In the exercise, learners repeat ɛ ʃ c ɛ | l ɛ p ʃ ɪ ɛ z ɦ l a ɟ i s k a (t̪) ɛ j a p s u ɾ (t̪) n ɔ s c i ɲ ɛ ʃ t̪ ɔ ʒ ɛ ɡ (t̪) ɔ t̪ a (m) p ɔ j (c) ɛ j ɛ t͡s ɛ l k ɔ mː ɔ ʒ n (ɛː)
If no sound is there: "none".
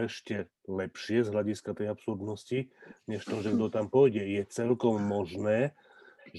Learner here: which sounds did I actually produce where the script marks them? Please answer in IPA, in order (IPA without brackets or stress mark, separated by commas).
t̪, d̪, d̪, m, ɟ, ɛː